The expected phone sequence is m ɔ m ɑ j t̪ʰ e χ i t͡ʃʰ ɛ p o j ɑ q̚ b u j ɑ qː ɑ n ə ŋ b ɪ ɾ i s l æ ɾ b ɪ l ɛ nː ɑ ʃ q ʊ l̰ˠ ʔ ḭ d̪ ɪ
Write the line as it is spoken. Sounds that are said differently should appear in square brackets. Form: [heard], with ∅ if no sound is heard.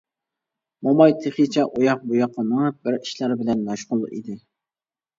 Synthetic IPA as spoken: m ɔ m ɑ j t̪ʰ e χ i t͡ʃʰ ɛ [ʔ] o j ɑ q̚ b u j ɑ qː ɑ n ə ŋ b ɪ ɾ i [ʃ] l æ ɾ b ɪ l ɛ nː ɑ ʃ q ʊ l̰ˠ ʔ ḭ d̪ ɪ